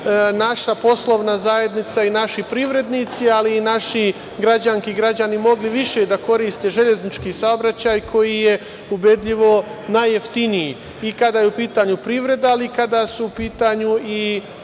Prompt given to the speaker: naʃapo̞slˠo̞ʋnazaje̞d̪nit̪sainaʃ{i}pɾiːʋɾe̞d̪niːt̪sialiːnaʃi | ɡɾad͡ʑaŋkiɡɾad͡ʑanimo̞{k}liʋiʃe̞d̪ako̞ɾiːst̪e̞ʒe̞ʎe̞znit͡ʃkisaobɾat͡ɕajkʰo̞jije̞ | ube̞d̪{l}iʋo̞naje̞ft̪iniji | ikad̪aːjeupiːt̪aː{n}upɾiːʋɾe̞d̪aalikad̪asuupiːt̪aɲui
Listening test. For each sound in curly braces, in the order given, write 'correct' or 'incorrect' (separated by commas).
correct, incorrect, incorrect, incorrect